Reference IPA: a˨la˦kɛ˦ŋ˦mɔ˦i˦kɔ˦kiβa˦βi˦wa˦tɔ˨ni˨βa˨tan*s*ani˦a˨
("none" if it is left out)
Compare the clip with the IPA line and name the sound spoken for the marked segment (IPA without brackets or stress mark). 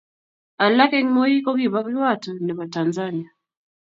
z